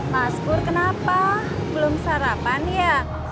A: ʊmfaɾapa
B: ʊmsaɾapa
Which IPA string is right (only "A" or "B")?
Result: B